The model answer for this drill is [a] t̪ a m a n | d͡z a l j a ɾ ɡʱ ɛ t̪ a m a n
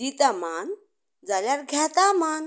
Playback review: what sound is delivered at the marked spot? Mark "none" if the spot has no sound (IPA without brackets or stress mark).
i